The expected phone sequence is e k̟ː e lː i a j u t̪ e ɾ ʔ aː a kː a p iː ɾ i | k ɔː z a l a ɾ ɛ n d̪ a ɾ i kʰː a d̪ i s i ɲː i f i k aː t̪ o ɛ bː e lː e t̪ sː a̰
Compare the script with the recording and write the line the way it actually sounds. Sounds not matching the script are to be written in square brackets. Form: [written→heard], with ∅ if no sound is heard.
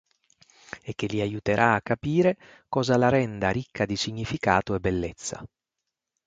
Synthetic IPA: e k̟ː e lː i a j u t̪ e ɾ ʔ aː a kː a p iː ɾ [i→e] | k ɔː z a l a ɾ ɛ n d̪ a ɾ i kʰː a d̪ i s i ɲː i f i k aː t̪ o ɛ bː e lː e t̪ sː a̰